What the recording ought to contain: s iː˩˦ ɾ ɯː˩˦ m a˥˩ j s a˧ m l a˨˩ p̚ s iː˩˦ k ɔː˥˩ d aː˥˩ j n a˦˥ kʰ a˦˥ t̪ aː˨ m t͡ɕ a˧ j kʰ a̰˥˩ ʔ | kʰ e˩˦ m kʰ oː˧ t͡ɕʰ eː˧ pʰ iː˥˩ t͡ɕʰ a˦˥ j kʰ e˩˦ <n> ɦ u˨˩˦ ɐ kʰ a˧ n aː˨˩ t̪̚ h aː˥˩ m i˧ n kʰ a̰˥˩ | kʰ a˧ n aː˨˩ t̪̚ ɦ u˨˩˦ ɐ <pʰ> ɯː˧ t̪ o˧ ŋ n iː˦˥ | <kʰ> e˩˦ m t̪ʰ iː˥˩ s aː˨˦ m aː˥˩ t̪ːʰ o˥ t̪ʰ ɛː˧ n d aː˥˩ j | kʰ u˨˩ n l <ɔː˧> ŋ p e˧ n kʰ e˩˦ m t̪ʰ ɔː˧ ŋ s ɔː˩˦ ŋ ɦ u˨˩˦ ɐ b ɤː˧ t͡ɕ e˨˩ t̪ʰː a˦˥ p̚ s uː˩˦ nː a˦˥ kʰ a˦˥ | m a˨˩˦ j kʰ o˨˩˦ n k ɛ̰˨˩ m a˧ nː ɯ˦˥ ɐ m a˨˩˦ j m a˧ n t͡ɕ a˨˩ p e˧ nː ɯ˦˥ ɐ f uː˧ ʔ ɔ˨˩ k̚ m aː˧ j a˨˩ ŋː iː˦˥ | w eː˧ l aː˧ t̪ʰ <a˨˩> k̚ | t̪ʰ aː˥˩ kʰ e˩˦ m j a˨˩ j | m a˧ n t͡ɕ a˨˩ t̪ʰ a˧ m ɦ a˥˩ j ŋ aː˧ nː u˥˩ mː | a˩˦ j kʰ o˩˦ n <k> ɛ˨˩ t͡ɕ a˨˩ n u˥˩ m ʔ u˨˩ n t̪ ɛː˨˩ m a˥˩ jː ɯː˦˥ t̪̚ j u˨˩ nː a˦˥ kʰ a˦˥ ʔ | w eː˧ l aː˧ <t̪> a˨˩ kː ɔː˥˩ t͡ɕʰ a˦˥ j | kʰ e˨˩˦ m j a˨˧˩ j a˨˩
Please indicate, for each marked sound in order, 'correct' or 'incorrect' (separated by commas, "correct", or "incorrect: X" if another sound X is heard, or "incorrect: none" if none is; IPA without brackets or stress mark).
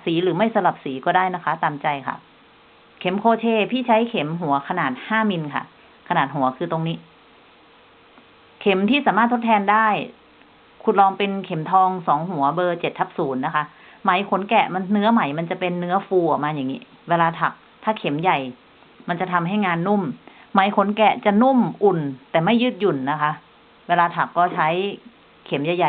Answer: incorrect: m, incorrect: kʰ, correct, correct, correct, correct, incorrect: t̪ʰ